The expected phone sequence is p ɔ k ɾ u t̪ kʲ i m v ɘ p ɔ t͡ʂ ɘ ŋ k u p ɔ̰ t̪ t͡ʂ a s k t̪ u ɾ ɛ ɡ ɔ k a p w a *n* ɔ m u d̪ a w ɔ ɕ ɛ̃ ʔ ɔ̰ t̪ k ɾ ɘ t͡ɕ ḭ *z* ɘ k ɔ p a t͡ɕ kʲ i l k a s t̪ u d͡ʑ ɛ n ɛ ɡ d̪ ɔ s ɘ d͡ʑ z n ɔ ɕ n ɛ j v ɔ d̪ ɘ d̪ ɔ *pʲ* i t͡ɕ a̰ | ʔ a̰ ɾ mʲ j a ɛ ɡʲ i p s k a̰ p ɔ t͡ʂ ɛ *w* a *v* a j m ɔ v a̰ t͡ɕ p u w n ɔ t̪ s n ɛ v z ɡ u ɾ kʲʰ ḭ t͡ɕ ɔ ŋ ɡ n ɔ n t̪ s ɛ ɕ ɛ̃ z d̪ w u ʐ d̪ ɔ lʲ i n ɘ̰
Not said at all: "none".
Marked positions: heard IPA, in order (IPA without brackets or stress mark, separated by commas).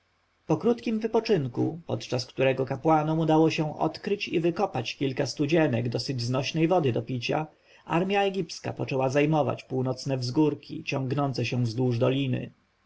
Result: n, v, pʲ, w, z